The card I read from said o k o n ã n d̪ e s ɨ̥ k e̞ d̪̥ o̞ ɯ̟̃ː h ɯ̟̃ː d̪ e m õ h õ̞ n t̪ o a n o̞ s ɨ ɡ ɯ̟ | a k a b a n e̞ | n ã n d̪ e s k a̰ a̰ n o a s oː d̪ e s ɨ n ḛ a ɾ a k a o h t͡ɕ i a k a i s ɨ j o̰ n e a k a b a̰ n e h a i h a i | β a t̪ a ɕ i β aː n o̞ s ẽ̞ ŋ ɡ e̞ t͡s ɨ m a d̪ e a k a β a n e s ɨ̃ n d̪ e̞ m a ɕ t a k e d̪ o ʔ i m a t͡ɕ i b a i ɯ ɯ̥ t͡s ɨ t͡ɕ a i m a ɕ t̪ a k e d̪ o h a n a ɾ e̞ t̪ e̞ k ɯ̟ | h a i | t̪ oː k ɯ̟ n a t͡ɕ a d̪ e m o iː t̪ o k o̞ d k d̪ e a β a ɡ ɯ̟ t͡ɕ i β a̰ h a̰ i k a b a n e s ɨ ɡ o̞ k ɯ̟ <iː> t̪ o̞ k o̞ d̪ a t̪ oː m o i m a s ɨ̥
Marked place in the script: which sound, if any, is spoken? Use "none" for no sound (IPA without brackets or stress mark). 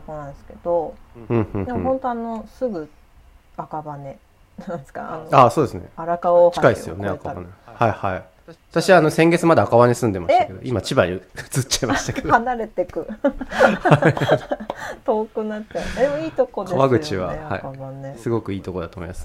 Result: iː